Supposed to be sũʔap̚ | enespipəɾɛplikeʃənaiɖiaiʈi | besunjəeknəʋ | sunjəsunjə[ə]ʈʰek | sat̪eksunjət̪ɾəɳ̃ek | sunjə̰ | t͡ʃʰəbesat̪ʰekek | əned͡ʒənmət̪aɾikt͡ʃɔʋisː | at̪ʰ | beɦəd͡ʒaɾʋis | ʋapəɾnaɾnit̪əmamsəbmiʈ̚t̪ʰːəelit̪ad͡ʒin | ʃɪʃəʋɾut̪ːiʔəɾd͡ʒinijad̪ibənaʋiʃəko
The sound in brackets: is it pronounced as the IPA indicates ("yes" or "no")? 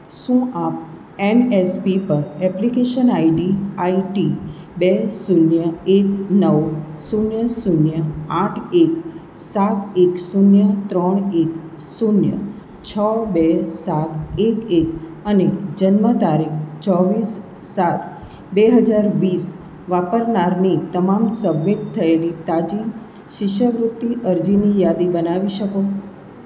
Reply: no